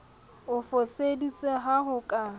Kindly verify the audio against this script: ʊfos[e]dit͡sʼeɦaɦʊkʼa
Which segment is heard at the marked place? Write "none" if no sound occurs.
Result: e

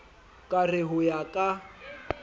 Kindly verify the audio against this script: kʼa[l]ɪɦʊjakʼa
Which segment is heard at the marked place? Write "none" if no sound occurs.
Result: r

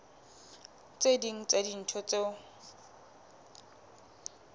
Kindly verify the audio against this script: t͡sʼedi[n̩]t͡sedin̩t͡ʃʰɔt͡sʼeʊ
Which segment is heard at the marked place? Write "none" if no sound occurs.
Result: ŋ̩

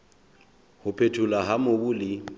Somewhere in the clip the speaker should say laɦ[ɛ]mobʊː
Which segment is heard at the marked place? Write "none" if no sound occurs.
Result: a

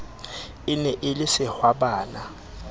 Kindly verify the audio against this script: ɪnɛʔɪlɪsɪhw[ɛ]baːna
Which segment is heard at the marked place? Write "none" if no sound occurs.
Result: a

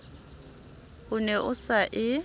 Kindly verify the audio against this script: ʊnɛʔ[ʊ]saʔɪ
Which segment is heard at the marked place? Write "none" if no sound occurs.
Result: ʊ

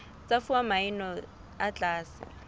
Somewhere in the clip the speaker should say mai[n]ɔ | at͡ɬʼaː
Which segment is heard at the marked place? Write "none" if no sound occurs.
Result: n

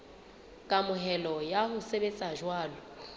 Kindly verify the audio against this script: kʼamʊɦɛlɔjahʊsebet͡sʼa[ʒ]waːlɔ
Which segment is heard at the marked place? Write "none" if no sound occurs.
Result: ʒ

